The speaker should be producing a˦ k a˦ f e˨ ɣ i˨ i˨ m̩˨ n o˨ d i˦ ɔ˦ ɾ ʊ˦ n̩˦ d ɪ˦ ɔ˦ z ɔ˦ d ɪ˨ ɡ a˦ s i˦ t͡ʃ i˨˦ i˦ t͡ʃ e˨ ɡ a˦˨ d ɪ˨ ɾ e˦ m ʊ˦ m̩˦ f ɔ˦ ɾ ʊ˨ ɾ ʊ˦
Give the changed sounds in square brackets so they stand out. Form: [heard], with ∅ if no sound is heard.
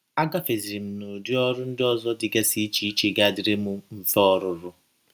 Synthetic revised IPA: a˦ [ɡ] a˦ f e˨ [z] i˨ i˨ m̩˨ n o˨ d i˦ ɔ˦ ɾ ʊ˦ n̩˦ d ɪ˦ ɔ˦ z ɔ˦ d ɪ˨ ɡ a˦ s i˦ t͡ʃ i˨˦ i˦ t͡ʃ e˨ ɡ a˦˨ d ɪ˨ ɾ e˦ m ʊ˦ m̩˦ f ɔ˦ ɾ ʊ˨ ɾ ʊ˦